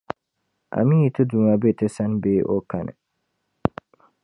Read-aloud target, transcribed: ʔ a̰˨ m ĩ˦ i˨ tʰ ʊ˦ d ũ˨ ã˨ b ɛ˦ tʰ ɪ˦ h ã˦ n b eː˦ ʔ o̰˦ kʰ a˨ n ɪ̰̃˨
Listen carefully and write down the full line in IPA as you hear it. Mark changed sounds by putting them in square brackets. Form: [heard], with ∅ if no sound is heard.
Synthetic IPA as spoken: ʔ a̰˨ m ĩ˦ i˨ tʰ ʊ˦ d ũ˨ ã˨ b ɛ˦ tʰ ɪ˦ [s] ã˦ n b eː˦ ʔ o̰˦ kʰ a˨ n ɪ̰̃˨